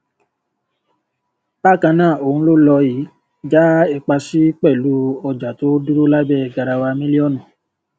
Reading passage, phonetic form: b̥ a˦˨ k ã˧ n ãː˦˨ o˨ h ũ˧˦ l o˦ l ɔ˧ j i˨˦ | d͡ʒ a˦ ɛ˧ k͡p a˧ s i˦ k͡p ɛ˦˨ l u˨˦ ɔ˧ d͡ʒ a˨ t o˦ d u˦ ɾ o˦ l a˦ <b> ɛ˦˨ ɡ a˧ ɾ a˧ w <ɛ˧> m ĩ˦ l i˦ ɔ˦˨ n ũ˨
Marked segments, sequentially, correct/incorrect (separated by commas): correct, incorrect